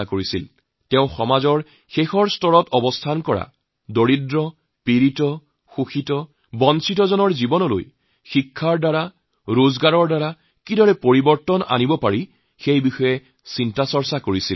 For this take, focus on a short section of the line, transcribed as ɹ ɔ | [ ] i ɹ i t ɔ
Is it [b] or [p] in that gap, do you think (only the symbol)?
p